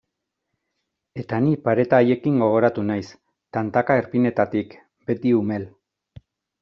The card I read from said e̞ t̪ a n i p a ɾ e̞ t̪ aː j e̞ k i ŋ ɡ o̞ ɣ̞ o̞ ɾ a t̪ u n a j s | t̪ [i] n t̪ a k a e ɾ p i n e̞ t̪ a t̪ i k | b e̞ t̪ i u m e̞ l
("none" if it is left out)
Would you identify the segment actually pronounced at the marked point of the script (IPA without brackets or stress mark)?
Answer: a